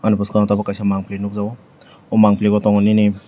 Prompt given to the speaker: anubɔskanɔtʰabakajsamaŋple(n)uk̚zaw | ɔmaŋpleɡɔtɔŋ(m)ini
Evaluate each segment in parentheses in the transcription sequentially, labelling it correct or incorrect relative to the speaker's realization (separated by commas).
correct, incorrect